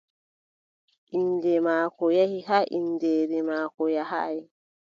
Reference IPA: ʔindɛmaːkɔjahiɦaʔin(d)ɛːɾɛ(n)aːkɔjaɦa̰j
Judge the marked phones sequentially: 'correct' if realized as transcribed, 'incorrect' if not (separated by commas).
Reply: correct, incorrect